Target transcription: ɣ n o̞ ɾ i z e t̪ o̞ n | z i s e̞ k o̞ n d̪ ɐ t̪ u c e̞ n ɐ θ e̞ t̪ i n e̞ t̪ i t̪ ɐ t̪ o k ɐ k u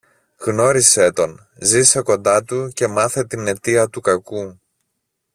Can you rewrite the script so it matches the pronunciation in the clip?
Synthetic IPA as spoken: ɣ n o̞ ɾ i s e t̪ o̞ n | z i s e̞ k o̞ n d̪ ɐ t̪ u c e̞ m ɐ θ e̞ t̪ i n e̞ t̪ i ɐ t̪ u k ɐ k u